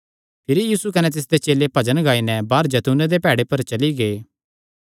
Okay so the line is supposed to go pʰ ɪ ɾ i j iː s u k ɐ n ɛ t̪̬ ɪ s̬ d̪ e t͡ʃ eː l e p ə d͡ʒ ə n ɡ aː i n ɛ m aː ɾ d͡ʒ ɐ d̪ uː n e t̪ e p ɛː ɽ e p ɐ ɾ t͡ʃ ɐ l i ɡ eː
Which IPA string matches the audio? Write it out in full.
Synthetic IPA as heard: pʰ ɪ ɾ i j iː s u k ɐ n ɛ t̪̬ ɪ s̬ d̪ e t͡ʃ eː l e p ɐ d͡ʒ ə n ɡ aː i n ɛ b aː ɾ d͡ʒ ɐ t̪ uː n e d̪ e p ɛː ɽ e p ɐ ɾ t͡ʃ ɐ l i ɡ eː

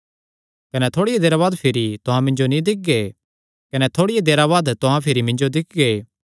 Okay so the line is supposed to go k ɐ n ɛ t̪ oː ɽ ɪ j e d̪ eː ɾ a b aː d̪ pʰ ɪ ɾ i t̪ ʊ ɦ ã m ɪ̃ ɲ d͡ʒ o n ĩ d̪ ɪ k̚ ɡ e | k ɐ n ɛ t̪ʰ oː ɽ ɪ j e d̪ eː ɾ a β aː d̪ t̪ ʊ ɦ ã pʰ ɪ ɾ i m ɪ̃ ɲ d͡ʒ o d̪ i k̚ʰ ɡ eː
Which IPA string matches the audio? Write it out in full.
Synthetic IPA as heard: k ɐ n ɛ t̪ʰ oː ɽ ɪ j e d̪ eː ɾ a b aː d̪ pʰ ɪ ɾ i t̪ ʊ ɦ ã m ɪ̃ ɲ d͡ʒ o n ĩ d̪ ɪ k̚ ɡ e | k ɐ n ɛ t̪ʰ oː ɽ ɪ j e d̪ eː ɾ a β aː d̪ t̪ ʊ ɦ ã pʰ ɪ ɾ i m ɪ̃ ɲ d͡ʒ o d̪ ɪ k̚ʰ ɡ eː

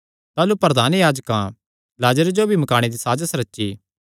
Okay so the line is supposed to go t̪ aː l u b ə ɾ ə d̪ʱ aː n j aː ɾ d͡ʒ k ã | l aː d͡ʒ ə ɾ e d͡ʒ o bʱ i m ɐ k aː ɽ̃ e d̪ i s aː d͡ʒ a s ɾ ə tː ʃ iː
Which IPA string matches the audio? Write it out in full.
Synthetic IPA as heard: t̪ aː l u p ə ɾ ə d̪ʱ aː n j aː d͡ʒ k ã | l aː d͡ʒ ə ɾ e d͡ʒ o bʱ i m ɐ k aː ɽ̃ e d̪ i s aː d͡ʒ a s ɾ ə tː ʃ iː

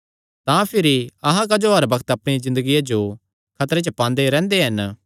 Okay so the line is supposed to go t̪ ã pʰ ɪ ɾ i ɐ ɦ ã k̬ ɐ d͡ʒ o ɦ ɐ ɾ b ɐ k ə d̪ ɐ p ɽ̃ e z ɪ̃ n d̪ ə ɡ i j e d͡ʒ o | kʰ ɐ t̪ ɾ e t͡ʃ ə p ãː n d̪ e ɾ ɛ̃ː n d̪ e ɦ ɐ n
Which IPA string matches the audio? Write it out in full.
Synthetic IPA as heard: t̪ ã pʰ ɪ ɾ i ɐ ɦ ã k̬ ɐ d͡ʒ o ɦ ɐ ɾ b ɐ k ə t̪ ɐ p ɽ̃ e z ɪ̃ n d̪ ə ɡ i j a d͡ʒ o | kʰ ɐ t̪ ɾ e t͡ʃ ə p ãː n d̪ e ɾ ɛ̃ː n d̪ e ɦ ɐ n

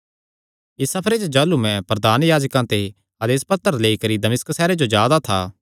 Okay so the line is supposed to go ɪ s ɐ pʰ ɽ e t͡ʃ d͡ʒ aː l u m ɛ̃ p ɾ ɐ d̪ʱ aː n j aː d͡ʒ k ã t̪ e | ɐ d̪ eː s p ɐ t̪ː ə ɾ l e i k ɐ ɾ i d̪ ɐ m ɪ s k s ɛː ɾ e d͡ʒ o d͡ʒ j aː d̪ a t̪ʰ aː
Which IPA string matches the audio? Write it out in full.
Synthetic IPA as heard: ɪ s ɐ pʰ ɾ e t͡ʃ d͡ʒ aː l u m ɛ̃ p ɾ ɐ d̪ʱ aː n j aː d͡ʒ k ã t̪ e | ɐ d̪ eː s p ɐ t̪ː ə ɾ l e i k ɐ ɾ i d̪ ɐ m ɪ s k s ɛː ɾ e d͡ʒ o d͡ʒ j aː d̪ a t̪ʰ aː

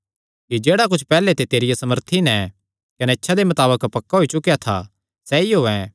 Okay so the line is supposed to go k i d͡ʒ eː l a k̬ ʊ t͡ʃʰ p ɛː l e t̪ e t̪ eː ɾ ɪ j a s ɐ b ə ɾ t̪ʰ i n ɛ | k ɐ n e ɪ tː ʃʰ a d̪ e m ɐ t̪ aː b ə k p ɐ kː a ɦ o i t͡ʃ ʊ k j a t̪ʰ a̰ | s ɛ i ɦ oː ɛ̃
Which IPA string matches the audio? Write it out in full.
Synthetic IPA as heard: k i d͡ʒ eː ɽ a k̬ ʊ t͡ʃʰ p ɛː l e t̪ e t̪ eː ɾ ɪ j a s ɐ m ə ɾ t̪ʰ i n ɛ | k ɐ n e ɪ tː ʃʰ a d̪ e m ɐ t̪ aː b ə k p ɐ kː a ɦ o i t͡ʃ ʊ k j a t̪ʰ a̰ | s ɛ i ɦ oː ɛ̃

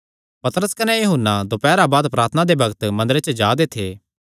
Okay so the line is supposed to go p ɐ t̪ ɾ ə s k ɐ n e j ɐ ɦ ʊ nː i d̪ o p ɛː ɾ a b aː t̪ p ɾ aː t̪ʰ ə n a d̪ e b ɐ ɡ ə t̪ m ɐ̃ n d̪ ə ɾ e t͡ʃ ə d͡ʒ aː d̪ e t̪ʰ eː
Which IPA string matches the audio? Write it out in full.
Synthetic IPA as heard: p ɐ t̪ ɾ ə s k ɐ n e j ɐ ɦ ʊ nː a d̪ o p ɛː ɾ a b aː d̪ p ɾ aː t̪ʰ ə n a d̪ e b ɐ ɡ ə t̪ m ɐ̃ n d̪ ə ɾ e t͡ʃ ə d͡ʒ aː d̪ e t̪ʰ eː

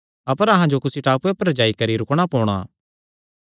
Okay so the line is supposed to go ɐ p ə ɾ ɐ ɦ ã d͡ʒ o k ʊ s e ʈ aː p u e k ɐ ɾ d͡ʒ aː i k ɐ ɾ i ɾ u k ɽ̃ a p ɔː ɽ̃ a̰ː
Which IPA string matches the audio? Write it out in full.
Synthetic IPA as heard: ɐ p ə ɾ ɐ ɦ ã d͡ʒ o k ʊ s i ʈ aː p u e p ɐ ɾ d͡ʒ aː i k ɐ ɾ i ɾ ʊ k ɽ̃ a p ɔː ɽ̃ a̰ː

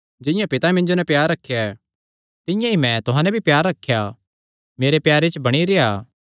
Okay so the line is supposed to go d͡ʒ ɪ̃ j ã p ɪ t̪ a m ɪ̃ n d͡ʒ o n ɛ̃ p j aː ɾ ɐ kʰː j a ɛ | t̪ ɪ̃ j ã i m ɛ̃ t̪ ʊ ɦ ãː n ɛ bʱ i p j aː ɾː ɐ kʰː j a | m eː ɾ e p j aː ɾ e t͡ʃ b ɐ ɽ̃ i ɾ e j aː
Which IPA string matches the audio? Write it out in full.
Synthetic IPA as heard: d͡ʒ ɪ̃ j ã p ɪ t̪ a m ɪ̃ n d͡ʒ o n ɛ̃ p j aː ɾ ɐ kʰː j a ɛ | t̪ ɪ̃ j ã i m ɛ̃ t̪ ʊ ɦ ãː n ɛ bʱ i p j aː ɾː ɐ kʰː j a | m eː ɾ e p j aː ɾ e t͡ʃ b ɐ ɽ̃ i ɾ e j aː

